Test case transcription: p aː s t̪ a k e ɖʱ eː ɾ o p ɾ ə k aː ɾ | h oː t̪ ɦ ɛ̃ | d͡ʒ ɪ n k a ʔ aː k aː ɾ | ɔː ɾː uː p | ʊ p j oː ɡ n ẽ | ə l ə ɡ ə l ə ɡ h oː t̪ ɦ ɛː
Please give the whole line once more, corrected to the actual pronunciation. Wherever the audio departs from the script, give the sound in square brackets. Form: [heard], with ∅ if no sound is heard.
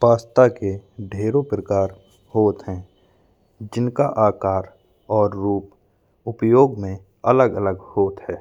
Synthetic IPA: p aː s t̪ a k e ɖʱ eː ɾ o p ɾ ə k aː ɾ | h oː t̪ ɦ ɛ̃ | d͡ʒ ɪ n k a ʔ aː k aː ɾ | ɔː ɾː uː p | ʊ p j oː ɡ [m] ẽ | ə l ə ɡ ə l ə ɡ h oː t̪ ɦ ɛː